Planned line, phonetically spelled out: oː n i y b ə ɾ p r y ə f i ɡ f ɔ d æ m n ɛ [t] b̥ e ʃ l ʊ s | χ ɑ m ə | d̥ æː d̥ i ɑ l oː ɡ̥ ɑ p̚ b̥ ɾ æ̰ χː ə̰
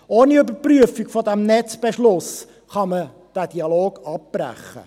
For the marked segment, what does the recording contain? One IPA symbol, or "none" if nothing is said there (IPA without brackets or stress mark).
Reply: t͡s